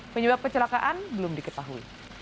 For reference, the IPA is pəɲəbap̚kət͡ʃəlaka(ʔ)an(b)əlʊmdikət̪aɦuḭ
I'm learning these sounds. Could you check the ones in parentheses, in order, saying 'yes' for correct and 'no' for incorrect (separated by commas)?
yes, yes